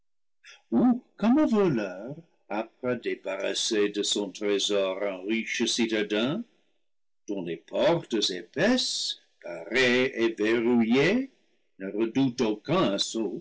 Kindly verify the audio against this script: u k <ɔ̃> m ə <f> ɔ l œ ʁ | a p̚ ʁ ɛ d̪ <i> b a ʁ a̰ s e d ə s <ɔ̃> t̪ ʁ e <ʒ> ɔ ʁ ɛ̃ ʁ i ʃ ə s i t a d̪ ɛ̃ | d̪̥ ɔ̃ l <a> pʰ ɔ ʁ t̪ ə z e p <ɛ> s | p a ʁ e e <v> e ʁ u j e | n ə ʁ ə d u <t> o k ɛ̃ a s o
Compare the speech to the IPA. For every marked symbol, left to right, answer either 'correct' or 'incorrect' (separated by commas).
incorrect, incorrect, incorrect, correct, incorrect, incorrect, correct, correct, correct